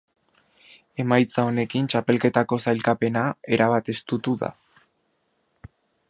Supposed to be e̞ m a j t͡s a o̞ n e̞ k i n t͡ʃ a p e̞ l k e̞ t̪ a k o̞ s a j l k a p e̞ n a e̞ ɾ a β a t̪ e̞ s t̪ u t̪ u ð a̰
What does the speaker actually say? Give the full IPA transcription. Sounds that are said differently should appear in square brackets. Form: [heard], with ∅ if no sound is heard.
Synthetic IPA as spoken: e̞ m a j t͡s a o̞ n e̞ k i n t͡ʃ a p e̞ l k e̞ t̪ a k o̞ s a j l k a p e̞ n a e̞ ɾ a β a t̪ e̞ s t̪ u t̪ u ð a̰